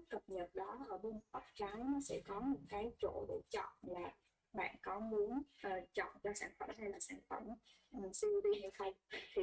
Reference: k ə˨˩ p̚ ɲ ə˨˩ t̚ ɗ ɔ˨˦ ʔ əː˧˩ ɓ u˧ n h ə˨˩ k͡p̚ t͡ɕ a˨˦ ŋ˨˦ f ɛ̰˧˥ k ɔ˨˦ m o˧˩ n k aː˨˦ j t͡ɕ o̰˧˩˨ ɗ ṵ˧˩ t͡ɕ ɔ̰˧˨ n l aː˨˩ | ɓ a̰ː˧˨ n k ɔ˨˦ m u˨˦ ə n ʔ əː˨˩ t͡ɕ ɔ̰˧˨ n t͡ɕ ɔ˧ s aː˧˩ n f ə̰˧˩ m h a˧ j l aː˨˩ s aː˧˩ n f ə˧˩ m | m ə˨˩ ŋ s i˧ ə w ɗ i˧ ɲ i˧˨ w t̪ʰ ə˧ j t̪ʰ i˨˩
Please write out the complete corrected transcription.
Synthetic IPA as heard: k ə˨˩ p̚ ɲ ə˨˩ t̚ ɗ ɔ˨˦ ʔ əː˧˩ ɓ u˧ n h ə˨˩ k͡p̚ t͡ɕ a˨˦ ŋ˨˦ s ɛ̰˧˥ k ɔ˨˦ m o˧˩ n k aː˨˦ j t͡ɕ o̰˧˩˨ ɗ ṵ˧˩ t͡ɕ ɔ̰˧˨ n l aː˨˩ | ɓ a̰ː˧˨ n k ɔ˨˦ m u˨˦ ə n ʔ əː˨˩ t͡ɕ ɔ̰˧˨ n t͡ɕ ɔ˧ s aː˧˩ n f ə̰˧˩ m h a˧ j l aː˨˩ s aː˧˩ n f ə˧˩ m | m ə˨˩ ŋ s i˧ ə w ɗ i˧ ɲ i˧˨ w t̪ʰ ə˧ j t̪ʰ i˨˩